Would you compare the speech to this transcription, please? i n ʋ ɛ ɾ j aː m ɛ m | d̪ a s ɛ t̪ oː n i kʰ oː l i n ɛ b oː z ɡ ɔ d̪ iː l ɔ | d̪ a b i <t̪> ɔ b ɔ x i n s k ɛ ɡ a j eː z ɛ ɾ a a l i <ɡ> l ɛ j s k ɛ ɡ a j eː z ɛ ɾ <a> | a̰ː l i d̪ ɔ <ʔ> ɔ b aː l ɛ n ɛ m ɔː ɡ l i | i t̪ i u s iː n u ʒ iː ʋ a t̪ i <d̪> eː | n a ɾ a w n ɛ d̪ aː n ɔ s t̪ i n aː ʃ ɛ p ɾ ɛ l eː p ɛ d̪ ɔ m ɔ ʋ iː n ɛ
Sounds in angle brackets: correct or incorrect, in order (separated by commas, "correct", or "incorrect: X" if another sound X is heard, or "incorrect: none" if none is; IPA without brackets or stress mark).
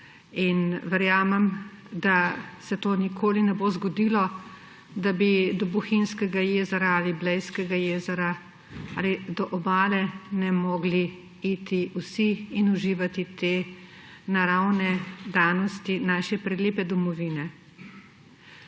incorrect: d̪, incorrect: b, correct, correct, incorrect: t̪